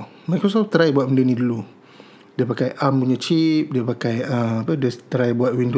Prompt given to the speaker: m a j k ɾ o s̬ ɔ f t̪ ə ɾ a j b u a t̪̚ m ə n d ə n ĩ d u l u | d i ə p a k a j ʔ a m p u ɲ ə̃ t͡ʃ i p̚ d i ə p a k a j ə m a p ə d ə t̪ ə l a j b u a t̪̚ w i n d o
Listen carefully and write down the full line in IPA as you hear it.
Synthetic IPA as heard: m a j k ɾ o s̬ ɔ f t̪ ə ɾ a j b u a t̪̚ m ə n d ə n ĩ d u l u | d i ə p a k a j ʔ a m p u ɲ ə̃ t͡ʃ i p̚ d i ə p a k a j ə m a p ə d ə t̪ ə ɾ a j b u a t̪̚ w i n d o